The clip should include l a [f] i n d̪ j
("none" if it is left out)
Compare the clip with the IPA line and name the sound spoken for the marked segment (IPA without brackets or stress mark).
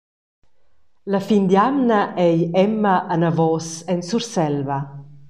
f